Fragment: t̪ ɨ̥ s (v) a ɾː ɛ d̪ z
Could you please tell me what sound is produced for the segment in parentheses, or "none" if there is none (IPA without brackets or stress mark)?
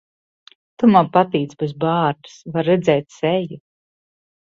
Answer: v